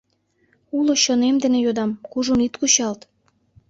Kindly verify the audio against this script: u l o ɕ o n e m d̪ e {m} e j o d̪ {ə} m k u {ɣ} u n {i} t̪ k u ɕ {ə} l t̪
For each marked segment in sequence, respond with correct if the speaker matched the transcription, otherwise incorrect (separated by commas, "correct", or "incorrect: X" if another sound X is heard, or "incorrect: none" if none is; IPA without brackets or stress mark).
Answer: incorrect: n, incorrect: ɑ, incorrect: ʒ, correct, incorrect: ɑ